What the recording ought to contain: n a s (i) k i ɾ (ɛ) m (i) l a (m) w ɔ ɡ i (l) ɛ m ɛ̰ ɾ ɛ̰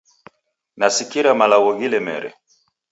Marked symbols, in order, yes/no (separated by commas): yes, no, no, no, yes